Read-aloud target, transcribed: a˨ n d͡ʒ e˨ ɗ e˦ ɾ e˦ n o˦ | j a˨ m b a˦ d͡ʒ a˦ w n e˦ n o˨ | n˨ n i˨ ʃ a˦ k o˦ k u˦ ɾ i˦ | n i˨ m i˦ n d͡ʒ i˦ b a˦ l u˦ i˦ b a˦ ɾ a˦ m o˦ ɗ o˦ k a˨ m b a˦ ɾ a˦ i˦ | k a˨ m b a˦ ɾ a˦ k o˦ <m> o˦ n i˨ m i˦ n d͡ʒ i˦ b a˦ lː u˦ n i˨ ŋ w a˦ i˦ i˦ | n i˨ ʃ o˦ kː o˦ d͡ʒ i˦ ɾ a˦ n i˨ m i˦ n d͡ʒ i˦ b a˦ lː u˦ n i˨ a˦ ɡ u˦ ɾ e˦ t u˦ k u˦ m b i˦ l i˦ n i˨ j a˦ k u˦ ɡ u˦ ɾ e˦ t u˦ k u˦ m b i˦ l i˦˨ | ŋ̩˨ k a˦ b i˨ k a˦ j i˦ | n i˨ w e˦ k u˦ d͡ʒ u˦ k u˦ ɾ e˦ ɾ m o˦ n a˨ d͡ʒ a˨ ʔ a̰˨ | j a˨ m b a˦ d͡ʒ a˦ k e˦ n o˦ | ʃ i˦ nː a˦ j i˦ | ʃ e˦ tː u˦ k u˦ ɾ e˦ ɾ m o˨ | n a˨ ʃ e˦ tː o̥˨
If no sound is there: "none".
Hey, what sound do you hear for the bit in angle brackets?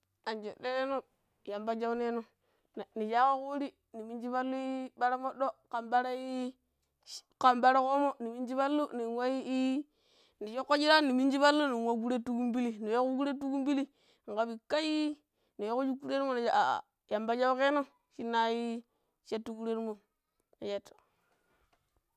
m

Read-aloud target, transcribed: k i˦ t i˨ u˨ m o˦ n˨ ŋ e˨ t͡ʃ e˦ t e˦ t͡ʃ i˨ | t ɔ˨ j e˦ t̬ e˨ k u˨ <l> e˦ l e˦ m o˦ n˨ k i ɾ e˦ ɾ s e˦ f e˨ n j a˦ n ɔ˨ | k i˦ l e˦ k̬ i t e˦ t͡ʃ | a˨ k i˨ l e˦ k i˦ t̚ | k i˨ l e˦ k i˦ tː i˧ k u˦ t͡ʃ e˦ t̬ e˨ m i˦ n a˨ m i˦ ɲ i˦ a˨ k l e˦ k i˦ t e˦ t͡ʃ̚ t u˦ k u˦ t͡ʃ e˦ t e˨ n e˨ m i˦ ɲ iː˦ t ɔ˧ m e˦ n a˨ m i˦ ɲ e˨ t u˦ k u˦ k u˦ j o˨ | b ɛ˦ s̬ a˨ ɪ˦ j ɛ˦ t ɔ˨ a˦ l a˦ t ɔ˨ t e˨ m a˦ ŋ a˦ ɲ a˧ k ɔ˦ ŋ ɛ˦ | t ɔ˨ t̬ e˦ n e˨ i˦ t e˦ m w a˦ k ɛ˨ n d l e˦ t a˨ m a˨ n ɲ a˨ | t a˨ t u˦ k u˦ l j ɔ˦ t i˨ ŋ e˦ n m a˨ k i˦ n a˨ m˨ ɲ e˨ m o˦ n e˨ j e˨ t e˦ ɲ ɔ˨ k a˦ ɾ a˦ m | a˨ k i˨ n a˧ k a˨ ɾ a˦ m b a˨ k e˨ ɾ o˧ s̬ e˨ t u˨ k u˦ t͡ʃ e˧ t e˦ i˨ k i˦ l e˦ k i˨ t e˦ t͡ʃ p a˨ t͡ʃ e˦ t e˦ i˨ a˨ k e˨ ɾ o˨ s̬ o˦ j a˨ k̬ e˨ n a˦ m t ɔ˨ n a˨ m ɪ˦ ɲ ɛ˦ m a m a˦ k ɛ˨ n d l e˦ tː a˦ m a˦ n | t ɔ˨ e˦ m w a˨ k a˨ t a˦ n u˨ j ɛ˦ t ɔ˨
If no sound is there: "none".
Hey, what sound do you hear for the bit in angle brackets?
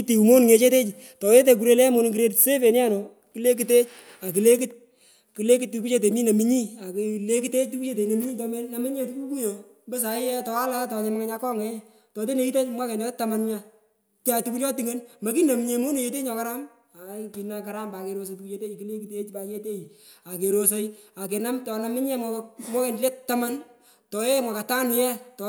ɾ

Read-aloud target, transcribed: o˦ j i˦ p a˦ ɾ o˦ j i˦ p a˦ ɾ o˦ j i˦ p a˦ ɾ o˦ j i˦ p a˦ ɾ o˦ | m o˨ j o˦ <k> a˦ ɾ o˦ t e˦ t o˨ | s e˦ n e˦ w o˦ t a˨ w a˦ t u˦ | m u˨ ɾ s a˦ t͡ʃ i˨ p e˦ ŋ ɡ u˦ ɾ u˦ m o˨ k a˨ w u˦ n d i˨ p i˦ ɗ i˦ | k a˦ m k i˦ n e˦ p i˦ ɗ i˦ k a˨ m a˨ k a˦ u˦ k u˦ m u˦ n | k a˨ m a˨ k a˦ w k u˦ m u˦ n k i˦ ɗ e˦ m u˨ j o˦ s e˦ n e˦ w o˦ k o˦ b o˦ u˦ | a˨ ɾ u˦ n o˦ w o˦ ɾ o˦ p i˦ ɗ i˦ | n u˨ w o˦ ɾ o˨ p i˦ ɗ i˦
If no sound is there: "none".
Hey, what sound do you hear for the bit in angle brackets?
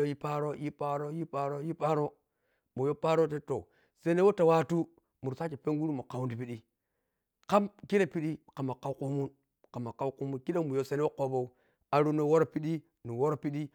p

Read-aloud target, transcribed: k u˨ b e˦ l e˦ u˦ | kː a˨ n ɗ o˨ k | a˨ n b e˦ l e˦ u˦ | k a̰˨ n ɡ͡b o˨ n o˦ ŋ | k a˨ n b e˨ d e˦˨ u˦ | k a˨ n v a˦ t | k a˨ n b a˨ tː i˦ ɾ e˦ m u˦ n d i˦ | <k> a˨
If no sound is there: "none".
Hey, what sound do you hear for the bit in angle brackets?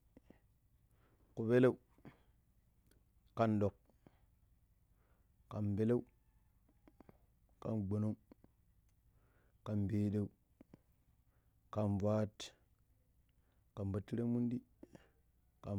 k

